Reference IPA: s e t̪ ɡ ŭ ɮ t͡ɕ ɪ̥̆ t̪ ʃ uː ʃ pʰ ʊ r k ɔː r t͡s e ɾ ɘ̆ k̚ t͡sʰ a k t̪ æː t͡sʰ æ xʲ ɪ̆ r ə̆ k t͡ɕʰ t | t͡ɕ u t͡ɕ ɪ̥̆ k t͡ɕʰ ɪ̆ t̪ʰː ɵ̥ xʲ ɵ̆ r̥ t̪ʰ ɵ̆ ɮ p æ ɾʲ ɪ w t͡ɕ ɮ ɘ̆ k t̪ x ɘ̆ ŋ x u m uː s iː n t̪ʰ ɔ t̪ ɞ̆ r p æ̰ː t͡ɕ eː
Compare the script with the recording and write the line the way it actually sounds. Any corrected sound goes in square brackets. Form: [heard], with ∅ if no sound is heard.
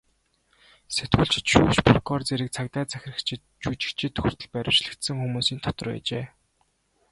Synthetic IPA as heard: s e t̪ ɡ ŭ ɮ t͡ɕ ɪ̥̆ t̪ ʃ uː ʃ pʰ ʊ r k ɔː r t͡s e ɾ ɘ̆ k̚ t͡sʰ a k t̪ æː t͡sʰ æ xʲ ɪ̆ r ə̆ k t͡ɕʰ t | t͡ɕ u t͡ɕ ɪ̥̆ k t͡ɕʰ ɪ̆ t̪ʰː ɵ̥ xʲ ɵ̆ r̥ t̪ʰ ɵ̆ ɮ p æ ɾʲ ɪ w t͡ɕ ɮ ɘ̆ k t̪ [s] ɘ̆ ŋ x u m uː s iː n t̪ʰ ɔ t̪ ɞ̆ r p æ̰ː t͡ɕ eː

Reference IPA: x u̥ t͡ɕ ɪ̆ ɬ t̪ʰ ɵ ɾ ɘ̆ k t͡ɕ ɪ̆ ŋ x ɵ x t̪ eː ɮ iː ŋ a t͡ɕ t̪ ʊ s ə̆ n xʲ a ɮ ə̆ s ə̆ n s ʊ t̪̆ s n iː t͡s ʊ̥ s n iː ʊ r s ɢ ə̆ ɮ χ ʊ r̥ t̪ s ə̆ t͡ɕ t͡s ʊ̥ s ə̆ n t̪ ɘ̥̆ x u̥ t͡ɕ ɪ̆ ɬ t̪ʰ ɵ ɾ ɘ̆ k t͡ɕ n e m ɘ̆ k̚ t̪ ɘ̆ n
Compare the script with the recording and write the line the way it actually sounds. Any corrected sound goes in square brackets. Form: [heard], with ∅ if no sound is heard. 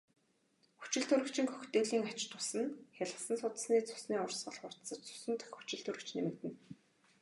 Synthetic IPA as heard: x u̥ t͡ɕ ɪ̆ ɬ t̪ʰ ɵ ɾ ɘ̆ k t͡ɕ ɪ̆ ŋ x ɵ x t̪ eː ɮ iː ŋ a t͡ɕ t̪ ʊ s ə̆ n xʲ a ɮ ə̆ s ə̆ n s ʊ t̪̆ s n iː t͡s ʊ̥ s n iː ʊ r s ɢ ə̆ ɮ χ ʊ r̥ t̪ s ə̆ t͡ɕ t͡s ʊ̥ s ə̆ n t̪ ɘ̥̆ x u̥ t͡ɕ ɪ̆ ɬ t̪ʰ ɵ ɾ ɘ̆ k t͡ɕ n e m ɘ̆ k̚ t̪ ɘ̆ n

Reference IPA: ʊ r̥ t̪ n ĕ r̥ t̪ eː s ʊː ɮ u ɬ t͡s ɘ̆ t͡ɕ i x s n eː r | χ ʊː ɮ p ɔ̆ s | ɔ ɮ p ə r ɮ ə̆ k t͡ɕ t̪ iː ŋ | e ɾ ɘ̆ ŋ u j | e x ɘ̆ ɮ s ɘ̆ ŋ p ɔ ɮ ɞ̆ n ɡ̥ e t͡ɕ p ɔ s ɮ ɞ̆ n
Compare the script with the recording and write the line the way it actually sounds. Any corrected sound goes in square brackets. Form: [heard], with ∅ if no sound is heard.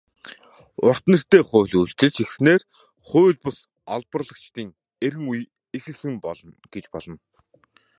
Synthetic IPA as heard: ʊ r̥ t̪ n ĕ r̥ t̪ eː [χ] ʊː ɮ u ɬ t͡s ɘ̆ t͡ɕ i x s n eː r | χ ʊː ɮ p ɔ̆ s | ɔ ɮ p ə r ɮ ə̆ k t͡ɕ t̪ iː ŋ | e ɾ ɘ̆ ŋ u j | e x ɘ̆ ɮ s ɘ̆ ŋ p ɔ ɮ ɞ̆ n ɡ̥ e t͡ɕ p ɔ [∅] ɮ ɞ̆ n

